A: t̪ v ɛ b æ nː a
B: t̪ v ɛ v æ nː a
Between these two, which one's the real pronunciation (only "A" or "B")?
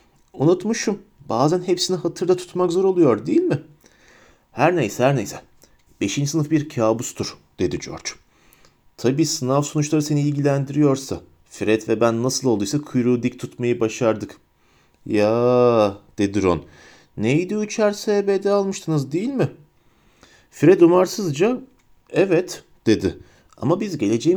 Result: A